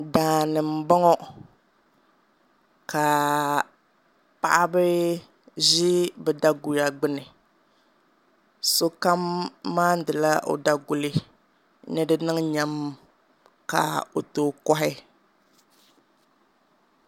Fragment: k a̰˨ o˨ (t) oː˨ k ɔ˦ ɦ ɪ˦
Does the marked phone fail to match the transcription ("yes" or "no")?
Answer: no